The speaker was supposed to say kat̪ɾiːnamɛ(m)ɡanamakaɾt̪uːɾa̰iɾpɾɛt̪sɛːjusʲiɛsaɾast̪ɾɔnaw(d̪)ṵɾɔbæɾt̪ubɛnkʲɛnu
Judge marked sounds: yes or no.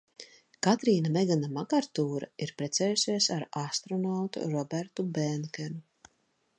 no, no

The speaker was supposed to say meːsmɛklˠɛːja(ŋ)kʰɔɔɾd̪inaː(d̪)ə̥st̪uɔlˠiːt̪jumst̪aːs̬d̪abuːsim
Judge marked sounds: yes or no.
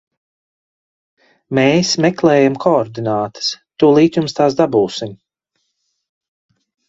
no, no

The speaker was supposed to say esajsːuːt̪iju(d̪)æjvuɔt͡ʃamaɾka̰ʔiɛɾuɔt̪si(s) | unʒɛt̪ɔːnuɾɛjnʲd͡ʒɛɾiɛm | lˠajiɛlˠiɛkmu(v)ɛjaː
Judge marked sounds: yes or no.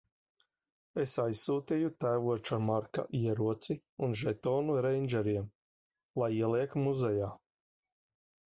no, no, no

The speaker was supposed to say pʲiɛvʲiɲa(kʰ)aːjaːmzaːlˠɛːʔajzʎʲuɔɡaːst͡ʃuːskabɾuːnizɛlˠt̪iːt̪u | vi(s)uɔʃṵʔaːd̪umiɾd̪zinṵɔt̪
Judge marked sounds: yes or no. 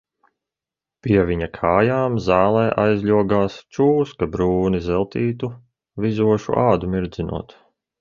yes, no

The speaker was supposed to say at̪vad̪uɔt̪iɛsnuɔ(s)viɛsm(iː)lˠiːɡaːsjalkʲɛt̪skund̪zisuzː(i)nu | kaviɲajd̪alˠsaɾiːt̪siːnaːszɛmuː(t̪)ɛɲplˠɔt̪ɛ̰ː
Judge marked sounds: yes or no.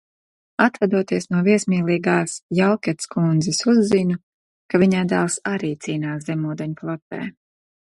no, yes, yes, no

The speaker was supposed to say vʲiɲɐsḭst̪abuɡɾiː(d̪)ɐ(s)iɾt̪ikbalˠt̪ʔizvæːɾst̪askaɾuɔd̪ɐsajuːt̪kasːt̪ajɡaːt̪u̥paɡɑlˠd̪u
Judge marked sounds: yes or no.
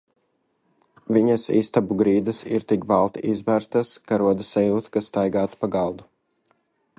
yes, yes

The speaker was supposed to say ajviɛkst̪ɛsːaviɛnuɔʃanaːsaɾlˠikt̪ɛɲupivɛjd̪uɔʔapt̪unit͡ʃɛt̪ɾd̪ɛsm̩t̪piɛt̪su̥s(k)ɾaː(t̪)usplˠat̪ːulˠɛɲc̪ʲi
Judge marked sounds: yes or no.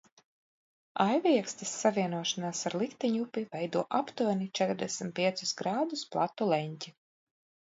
no, no

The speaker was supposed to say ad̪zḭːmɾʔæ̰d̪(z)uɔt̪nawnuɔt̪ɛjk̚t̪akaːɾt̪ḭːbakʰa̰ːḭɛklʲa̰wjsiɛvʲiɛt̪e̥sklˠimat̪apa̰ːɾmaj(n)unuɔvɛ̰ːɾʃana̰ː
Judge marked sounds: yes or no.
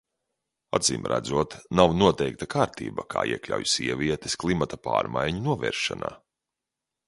yes, no

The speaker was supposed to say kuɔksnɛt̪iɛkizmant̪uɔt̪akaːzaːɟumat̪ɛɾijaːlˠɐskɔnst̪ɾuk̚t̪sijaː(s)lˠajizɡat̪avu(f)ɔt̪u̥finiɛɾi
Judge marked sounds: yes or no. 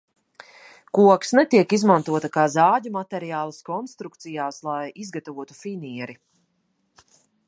yes, no

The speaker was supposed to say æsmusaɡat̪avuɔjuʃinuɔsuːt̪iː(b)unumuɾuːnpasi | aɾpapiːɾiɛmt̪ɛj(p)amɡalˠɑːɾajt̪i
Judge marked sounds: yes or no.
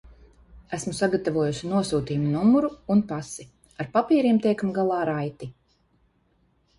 no, no

